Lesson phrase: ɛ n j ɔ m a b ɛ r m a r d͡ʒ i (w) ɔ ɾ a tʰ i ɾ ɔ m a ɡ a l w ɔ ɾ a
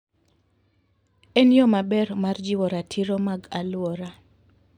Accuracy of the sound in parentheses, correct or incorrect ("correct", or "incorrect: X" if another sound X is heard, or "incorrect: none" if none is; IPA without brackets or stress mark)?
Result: correct